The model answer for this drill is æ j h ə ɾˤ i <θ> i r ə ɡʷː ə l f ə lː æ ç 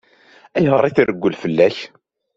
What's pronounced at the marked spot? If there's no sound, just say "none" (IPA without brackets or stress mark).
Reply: θ